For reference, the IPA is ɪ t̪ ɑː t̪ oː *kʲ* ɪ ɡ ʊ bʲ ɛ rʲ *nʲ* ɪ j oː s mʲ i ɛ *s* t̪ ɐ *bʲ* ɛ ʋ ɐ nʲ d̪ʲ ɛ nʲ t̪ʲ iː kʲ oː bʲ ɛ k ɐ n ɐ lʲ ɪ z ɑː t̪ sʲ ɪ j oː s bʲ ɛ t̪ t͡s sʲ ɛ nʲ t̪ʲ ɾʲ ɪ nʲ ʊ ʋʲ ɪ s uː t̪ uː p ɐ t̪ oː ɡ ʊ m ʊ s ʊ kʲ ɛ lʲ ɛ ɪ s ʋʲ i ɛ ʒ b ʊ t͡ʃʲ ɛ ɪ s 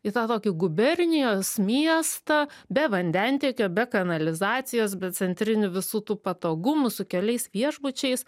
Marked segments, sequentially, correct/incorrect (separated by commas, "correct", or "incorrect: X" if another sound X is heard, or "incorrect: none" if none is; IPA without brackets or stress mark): correct, correct, correct, correct